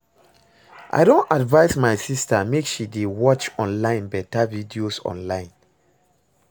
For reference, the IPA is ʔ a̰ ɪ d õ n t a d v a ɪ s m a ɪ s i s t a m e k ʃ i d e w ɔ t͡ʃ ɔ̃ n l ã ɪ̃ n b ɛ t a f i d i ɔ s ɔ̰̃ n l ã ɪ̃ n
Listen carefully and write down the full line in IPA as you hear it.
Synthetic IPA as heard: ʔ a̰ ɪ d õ n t a d v a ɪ s m a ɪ s i s t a m e k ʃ i d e w ɔ t͡ʃ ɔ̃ n l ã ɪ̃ n b ɛ t a v i d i o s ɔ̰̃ n l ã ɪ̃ n